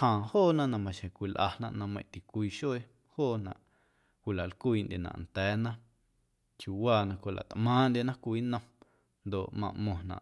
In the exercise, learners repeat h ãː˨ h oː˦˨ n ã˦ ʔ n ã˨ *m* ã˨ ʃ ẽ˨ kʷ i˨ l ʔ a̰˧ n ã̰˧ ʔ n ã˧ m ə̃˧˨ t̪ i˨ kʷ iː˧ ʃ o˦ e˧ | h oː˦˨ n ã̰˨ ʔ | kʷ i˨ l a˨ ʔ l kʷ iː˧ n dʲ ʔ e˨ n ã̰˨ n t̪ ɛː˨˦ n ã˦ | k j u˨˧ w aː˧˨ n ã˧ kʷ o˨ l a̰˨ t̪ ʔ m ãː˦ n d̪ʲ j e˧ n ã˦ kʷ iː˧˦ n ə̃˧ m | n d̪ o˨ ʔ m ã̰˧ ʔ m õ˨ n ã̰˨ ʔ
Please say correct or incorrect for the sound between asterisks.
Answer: correct